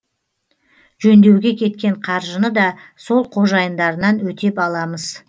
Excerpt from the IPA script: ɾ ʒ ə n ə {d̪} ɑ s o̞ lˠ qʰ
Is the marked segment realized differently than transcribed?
no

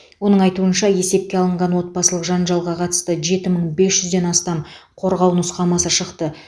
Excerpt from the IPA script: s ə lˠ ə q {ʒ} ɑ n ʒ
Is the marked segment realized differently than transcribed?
no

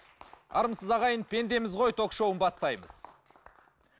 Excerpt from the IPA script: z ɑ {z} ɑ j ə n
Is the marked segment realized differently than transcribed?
yes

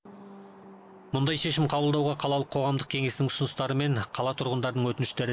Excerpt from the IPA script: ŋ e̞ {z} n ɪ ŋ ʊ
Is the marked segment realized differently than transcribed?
yes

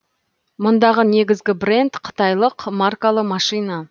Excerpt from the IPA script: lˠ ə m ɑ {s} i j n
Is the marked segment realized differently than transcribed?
yes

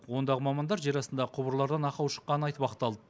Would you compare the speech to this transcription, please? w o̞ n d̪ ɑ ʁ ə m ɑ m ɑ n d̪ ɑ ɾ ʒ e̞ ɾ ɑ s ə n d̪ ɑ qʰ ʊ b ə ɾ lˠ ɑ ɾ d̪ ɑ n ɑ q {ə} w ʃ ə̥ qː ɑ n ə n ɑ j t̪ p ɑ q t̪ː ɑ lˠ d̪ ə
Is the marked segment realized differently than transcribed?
yes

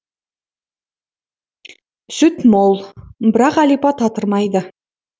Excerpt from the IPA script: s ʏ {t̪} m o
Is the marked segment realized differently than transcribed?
no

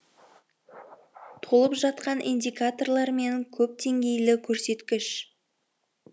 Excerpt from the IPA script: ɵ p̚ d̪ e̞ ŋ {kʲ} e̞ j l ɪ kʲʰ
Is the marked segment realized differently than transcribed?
yes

